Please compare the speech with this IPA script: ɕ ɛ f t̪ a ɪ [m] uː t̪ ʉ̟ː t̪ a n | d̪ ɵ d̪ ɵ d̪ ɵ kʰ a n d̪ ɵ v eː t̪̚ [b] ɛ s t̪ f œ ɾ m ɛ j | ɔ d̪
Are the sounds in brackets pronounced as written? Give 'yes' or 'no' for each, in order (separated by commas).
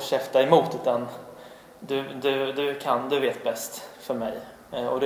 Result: yes, yes